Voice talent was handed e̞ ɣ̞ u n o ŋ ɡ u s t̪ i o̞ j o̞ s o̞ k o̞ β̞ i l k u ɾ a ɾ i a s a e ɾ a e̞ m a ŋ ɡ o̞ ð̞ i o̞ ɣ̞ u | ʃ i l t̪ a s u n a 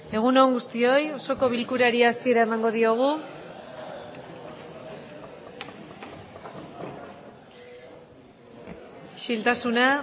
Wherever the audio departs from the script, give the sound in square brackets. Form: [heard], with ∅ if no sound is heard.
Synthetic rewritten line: e̞ ɣ̞ u n o ŋ ɡ u s t̪ i o̞ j o̞ s o̞ k o̞ β̞ i l k u ɾ a ɾ i a s [i] e ɾ a e̞ m a ŋ ɡ o̞ ð̞ i o̞ ɣ̞ u | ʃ i l t̪ a s u n a